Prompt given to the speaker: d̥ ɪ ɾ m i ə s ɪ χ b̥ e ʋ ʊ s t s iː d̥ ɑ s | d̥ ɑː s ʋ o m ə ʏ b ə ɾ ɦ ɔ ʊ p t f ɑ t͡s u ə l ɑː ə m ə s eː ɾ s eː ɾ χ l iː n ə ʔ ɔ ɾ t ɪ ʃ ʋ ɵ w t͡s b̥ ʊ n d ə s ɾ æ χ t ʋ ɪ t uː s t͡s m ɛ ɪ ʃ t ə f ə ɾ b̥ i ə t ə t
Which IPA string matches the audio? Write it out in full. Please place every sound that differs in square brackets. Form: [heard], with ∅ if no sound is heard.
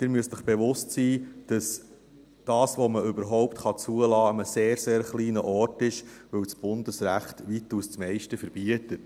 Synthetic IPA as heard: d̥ ɪ ɾ m [y] ə s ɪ χ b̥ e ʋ ʊ s t s iː d̥ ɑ s | d̥ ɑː s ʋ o m ə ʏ b ə ɾ ɦ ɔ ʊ p t [χ] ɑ t͡s u ə l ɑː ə m ə s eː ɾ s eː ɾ χ l iː n ə ʔ ɔ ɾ t ɪ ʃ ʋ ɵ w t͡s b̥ ʊ n d ə s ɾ æ χ t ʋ [i] t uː s t͡s m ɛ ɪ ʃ t ə f ə ɾ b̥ i ə t ə t